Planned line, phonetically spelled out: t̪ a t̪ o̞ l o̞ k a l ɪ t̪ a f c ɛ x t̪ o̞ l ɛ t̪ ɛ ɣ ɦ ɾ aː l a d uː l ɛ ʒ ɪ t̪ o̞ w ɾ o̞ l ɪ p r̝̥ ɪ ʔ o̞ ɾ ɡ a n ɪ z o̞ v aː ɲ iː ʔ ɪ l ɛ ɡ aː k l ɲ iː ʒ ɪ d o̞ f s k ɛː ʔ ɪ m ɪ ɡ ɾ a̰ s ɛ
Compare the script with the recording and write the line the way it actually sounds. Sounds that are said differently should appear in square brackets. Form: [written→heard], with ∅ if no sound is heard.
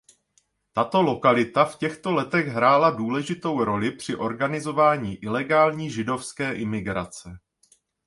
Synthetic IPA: t̪ a t̪ o̞ l o̞ k a l ɪ t̪ a f c ɛ x t̪ o̞ l ɛ t̪ ɛ ɣ ɦ ɾ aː l a d uː l ɛ ʒ ɪ t̪ o̞ w ɾ o̞ l ɪ p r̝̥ ɪ ʔ o̞ ɾ ɡ a n ɪ z o̞ v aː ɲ iː ʔ ɪ l ɛ ɡ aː [k→∅] l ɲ iː ʒ ɪ d o̞ f s k ɛː ʔ ɪ m ɪ ɡ ɾ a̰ [s→t͡s] ɛ

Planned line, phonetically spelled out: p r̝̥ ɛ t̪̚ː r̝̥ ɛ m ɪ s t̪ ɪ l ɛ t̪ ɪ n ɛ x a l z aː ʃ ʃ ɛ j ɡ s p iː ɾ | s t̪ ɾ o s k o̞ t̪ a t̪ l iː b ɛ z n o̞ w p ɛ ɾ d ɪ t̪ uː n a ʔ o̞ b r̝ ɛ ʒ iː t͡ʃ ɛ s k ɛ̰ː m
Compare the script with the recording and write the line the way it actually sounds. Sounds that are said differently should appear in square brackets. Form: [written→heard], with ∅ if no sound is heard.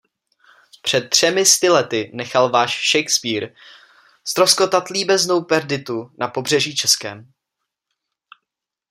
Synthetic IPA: p r̝̥ ɛ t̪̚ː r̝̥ ɛ m ɪ s t̪ ɪ l ɛ t̪ ɪ n ɛ x a l [z→v] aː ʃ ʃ ɛ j [ɡ→k] s p iː ɾ | s t̪ ɾ o s k o̞ t̪ a t̪ l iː b ɛ z n o̞ w p ɛ ɾ d ɪ t̪ [uː→u] n a [ʔ→p] o̞ b r̝ ɛ ʒ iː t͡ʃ ɛ s k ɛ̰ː m

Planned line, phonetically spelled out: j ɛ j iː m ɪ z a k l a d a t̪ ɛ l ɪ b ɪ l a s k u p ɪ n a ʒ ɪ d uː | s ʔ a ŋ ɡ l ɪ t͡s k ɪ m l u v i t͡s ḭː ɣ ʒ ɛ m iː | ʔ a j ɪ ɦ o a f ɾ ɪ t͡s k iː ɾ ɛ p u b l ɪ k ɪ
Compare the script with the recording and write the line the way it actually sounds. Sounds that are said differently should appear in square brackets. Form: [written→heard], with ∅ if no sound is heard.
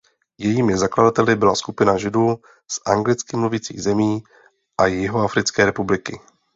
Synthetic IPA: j ɛ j iː m ɪ z a k l a d a t̪ ɛ l ɪ b ɪ l a s k u p ɪ n a ʒ ɪ d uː | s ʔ a ŋ ɡ l ɪ t͡s k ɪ m l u v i t͡s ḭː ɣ [ʒ→z] ɛ m iː | ʔ a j ɪ ɦ o a f ɾ ɪ t͡s k [iː→ɛː] ɾ ɛ p u b l ɪ k ɪ

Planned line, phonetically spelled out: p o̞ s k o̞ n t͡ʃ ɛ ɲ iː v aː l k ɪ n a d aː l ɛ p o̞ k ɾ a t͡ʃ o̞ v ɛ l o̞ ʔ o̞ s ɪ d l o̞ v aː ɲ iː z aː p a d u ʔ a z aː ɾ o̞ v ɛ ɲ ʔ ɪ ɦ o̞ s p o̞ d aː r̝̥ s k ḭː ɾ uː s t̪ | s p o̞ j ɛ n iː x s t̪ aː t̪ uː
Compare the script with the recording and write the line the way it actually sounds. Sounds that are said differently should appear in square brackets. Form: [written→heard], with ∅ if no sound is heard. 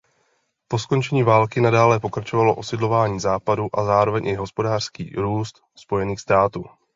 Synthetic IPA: p o̞ s k o̞ n t͡ʃ ɛ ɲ iː v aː l k ɪ n a d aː l ɛ p o̞ k ɾ a t͡ʃ o̞ v [ɛ→a] l o̞ ʔ o̞ s ɪ d l o̞ v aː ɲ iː z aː p a d u ʔ a z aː ɾ o̞ v ɛ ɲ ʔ ɪ ɦ o̞ s p o̞ d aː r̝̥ s k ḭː ɾ uː s t̪ | s p o̞ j ɛ n iː x s t̪ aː t̪ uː

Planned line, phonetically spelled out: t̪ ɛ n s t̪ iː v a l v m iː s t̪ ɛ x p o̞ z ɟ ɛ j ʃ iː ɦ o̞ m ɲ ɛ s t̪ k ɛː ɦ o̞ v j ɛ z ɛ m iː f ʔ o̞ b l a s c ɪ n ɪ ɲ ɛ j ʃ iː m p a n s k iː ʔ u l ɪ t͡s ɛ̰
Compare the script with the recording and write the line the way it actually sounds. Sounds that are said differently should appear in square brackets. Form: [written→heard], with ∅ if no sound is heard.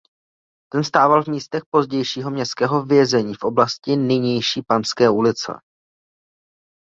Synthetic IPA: t̪ ɛ n s t̪ [iː→aː] v a l v m iː s t̪ ɛ x p o̞ z ɟ ɛ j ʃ iː ɦ o̞ m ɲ ɛ s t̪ k ɛː ɦ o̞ v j ɛ z ɛ [m→ɲ] iː f ʔ o̞ b l a s c ɪ n ɪ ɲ ɛ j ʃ iː [m→∅] p a n s k [iː→ɛː] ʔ u l ɪ t͡s ɛ̰

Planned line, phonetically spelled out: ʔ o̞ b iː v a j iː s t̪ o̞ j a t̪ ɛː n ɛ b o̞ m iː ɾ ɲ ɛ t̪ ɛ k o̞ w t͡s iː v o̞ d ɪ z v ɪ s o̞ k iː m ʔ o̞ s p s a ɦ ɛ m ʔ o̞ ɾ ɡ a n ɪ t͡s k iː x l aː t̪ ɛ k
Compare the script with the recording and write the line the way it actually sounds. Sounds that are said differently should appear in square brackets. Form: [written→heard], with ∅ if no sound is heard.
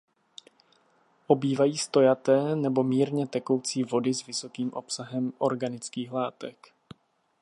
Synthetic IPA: ʔ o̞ b iː v a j iː s t̪ o̞ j a t̪ ɛː n ɛ b o̞ m iː ɾ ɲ ɛ t̪ ɛ k o̞ w t͡s iː v o̞ d ɪ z v ɪ s o̞ k iː m ʔ o̞ [s→∅] p s a ɦ ɛ m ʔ o̞ ɾ ɡ a n ɪ t͡s k iː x l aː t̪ ɛ k

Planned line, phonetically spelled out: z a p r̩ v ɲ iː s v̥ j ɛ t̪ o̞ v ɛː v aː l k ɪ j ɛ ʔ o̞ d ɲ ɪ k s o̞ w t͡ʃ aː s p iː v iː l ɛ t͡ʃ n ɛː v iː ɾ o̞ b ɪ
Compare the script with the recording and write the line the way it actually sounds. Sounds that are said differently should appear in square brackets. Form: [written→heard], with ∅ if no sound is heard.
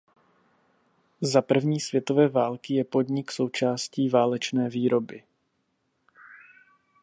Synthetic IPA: z a p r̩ v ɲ iː s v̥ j ɛ t̪ o̞ v ɛː v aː l k ɪ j ɛ [ʔ→p] o̞ d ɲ ɪ k s o̞ w t͡ʃ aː s [p→c] iː v [iː→aː] l ɛ t͡ʃ n ɛː v iː ɾ o̞ b ɪ

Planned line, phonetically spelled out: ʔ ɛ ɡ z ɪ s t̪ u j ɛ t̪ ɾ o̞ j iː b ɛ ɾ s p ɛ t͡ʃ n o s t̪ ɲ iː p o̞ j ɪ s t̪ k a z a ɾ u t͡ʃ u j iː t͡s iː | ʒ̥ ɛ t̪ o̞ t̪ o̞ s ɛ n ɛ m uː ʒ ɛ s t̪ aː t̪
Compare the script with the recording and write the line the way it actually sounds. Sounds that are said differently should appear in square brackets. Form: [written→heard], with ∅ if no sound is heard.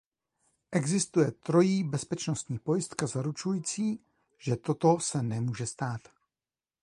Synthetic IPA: ʔ ɛ ɡ z ɪ s t̪ u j ɛ t̪ ɾ o̞ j iː b ɛ [ɾ→∅] s p ɛ t͡ʃ n o s t̪ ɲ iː p o̞ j ɪ s t̪ k a z a ɾ u t͡ʃ u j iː t͡s iː | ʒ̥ ɛ t̪ o̞ t̪ o̞ s ɛ n ɛ m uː ʒ ɛ s t̪ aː t̪

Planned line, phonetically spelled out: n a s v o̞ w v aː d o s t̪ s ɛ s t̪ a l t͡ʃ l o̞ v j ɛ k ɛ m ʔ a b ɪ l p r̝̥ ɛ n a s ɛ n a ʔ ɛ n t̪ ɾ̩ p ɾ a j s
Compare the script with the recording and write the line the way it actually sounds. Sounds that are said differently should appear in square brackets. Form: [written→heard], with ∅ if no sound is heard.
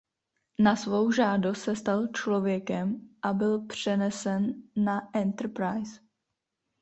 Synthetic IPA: n a s v o̞ w [v→ʒ] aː d o s t̪ s ɛ s t̪ a l t͡ʃ l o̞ v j ɛ k ɛ m ʔ a b ɪ l p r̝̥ ɛ n [a→ɛ] s ɛ [n→nː] a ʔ ɛ n t̪ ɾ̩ p ɾ a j s

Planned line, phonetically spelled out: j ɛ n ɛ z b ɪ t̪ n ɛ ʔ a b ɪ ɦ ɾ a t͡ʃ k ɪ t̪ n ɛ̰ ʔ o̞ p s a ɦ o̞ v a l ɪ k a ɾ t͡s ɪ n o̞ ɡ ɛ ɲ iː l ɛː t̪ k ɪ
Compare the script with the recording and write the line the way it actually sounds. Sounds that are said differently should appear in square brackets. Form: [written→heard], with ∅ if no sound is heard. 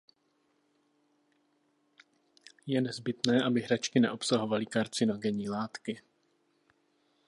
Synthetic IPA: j ɛ n ɛ z b ɪ t̪ n [ɛ→ɛː] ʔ a b ɪ ɦ ɾ a t͡ʃ k ɪ [t̪→∅] n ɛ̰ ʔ o̞ p s a ɦ o̞ v a l ɪ k a ɾ t͡s ɪ n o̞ ɡ ɛ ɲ iː l [ɛː→aː] t̪ k ɪ

